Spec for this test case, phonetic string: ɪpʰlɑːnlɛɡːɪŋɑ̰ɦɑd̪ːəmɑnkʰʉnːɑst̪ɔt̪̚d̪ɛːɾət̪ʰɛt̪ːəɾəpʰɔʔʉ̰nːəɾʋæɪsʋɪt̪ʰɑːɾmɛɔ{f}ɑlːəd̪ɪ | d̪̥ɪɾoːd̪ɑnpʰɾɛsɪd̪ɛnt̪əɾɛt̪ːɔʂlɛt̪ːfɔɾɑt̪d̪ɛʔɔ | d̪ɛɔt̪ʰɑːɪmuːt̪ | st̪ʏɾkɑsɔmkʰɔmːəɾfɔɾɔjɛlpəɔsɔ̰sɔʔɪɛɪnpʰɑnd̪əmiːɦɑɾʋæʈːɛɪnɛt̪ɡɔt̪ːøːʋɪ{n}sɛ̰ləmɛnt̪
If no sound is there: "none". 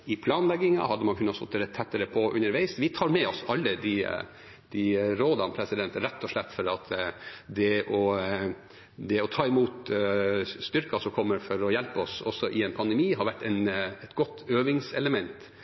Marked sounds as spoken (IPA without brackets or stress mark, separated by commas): s, ŋ